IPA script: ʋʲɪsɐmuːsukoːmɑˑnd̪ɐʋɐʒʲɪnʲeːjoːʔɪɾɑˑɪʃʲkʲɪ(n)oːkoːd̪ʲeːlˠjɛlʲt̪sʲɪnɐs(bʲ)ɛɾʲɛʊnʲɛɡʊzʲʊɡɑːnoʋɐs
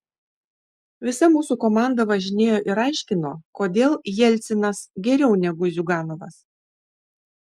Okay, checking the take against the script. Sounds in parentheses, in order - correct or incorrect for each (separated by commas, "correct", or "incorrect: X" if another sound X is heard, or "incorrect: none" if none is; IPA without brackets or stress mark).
correct, incorrect: ɡʲ